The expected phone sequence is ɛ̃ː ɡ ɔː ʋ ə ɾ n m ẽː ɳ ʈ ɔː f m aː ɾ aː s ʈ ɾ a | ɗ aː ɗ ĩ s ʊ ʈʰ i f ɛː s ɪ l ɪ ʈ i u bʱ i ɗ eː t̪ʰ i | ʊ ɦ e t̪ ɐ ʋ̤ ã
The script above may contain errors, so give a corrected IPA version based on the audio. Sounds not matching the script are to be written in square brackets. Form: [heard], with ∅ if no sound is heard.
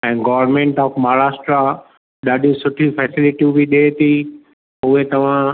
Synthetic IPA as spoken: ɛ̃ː ɡ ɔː ʋ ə ɾ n m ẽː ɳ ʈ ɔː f m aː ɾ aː s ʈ ɾ a | ɗ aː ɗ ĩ s ʊ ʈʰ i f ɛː s ɪ l ɪ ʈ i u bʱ i ɗ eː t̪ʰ i | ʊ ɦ e t̪ ɐ ʋ̤ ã